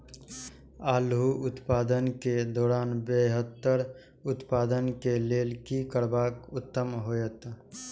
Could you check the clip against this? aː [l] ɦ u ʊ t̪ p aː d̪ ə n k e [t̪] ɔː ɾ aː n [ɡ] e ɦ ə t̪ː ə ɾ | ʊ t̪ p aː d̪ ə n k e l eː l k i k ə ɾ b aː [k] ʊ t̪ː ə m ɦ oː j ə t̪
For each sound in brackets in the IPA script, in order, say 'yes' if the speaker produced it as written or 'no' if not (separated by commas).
yes, no, no, yes